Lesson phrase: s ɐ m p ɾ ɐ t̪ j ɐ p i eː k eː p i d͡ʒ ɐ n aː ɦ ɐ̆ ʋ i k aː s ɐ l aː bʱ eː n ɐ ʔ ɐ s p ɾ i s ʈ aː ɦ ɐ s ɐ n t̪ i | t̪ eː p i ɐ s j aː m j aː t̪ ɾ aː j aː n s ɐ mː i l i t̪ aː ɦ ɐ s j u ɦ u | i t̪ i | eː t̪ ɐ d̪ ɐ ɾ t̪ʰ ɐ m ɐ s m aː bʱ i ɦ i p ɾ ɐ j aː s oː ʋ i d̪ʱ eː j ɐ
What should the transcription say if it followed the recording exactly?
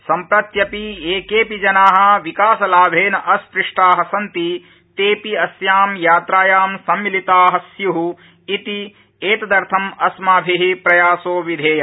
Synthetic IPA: s ɐ m p ɾ ɐ t̪ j ɐ p i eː k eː p i d͡ʒ ɐ n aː ɦ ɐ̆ ʋ i k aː s ɐ l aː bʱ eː n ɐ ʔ ɐ s p ɾ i ʂ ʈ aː ɦ ɐ s ɐ n t̪ i | t̪ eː p i ɐ s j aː m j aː t̪ ɾ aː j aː m s ɐ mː i l i t̪ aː ɦ ɐ s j u ɦ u | i t̪ i | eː t̪ ɐ d̪ ɐ ɾ t̪ʰ ɐ m ɐ s m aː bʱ i ɦ i p ɾ ɐ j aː s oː ʋ i d̪ʱ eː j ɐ